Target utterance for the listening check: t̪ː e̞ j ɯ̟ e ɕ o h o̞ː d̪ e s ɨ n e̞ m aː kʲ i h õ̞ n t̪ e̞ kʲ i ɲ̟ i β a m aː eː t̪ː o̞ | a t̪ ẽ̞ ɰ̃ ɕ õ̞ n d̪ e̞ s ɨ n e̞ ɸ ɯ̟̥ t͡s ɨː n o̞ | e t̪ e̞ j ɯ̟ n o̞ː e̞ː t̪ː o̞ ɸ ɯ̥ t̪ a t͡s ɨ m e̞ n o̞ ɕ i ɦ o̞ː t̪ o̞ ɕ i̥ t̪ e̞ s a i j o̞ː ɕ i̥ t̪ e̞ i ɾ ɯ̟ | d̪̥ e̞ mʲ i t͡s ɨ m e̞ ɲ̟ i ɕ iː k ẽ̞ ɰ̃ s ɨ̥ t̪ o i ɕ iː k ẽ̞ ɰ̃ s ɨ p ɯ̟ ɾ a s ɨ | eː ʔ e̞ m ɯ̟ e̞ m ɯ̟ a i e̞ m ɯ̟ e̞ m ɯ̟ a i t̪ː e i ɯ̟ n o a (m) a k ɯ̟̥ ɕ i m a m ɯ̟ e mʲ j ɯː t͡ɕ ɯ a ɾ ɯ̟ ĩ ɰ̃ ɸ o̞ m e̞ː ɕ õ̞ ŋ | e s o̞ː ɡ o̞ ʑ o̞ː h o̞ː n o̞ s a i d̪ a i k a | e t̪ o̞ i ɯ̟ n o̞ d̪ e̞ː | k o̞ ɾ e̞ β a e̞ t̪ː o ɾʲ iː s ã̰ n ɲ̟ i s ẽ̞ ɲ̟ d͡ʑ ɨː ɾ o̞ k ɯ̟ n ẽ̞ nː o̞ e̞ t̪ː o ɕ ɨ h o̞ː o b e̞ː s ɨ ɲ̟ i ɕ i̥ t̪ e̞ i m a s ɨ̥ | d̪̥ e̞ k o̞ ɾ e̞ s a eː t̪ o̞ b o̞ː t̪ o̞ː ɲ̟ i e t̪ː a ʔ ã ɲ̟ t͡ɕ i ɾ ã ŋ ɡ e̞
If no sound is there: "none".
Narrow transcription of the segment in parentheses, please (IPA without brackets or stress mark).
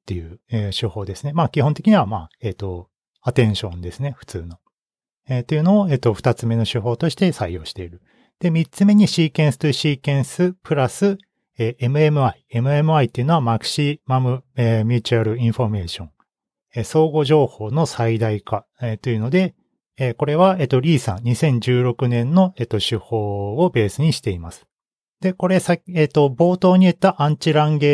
m